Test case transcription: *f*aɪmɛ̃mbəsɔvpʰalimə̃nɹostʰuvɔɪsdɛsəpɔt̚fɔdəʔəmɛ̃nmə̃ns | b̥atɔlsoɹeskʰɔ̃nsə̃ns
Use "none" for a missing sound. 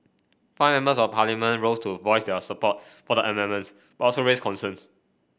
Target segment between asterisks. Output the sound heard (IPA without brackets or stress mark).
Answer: f